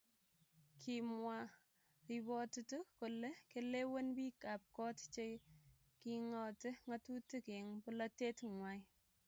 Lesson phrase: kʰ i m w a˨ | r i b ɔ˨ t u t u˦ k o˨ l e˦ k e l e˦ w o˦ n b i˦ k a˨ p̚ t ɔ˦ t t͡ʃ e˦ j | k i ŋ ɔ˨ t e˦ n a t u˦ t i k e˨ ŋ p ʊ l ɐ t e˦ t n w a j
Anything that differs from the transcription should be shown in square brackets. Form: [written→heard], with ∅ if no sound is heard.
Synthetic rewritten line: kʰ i m w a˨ | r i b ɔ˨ t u t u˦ k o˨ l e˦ k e l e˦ w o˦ n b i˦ k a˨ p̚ [t→k] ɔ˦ t t͡ʃ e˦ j | k i ŋ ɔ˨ t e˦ [n→ŋ] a t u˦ t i k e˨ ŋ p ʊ l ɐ t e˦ t [n→ŋ] w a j